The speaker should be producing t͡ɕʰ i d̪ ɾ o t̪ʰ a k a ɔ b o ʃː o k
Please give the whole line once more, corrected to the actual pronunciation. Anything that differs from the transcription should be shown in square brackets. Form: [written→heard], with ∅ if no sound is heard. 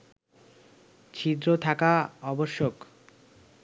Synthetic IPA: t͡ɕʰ i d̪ ɾ o t̪ʰ a k a ɔ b o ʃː o k